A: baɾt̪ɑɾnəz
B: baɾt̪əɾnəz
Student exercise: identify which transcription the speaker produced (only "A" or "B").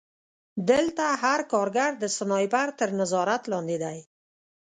B